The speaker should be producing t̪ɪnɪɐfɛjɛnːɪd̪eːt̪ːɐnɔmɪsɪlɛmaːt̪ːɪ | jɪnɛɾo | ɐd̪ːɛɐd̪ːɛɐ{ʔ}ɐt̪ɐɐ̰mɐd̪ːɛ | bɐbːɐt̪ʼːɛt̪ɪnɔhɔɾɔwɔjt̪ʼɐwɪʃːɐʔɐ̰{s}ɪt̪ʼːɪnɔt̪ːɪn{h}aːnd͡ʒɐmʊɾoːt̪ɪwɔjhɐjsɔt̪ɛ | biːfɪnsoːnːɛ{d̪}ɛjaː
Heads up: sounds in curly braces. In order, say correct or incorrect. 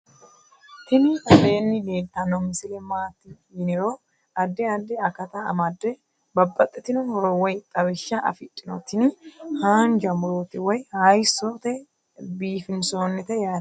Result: incorrect: k, incorrect: f, correct, incorrect: t̪

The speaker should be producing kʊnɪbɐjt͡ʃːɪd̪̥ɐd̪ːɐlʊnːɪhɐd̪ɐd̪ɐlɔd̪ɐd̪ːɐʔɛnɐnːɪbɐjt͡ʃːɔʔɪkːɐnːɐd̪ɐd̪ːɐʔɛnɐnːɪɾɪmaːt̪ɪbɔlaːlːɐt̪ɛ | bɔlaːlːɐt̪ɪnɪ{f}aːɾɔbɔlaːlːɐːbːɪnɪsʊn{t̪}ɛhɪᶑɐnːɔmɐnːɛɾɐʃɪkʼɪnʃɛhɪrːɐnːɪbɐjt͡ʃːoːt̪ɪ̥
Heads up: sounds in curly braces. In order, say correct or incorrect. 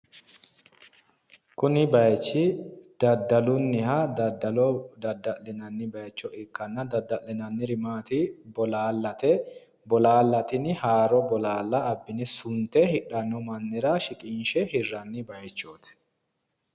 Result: incorrect: h, correct

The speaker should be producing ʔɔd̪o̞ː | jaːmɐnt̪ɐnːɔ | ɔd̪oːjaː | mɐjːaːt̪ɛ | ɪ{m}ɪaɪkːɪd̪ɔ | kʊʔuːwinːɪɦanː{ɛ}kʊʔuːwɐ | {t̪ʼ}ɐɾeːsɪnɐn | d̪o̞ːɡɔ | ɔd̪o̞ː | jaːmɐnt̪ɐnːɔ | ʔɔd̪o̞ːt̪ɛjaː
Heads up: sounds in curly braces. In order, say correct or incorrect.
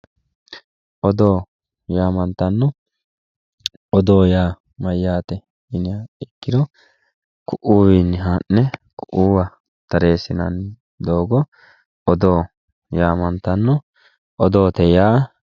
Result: incorrect: n, correct, incorrect: t̪

